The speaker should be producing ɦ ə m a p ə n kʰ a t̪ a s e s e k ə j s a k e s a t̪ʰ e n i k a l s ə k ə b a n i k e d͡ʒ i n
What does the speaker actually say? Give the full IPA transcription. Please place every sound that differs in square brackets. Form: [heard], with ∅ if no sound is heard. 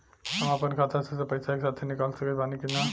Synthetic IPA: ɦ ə m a p ə n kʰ a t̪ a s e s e [p] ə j s a k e s a t̪ʰ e n i k a l s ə k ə b a n i k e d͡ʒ [a] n